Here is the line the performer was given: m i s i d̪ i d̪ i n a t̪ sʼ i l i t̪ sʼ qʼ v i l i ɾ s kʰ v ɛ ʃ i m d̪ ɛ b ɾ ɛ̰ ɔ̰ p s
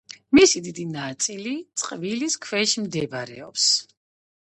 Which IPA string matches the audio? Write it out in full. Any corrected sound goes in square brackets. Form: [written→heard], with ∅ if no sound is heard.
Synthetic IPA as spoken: m i s i d̪ i d̪ i n a t̪ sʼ i l i t̪ sʼ qʼ v i l i [ɾ→∅] s kʰ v ɛ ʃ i m d̪ ɛ b ɾ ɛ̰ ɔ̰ p s